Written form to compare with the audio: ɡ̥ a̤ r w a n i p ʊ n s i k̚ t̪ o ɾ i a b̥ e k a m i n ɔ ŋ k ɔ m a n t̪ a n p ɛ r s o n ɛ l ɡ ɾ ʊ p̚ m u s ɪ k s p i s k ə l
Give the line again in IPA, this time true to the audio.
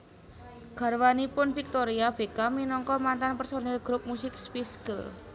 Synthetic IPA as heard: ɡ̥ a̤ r w a n i p ʊ n f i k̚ t̪ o ɾ i a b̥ e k a m i n ɔ ŋ k ɔ m a n t̪ a n p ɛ r s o n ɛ l ɡ ɾ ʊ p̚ m u s ɪ k s p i s k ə l

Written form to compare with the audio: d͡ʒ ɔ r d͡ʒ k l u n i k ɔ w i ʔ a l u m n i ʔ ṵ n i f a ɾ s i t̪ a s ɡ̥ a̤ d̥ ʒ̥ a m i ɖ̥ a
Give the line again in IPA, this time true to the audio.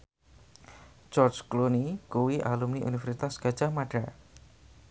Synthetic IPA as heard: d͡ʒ ɔ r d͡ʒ k l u n i k u w i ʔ a l u m n i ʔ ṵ n i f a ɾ s i t̪ a s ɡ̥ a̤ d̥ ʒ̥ a m a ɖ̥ a

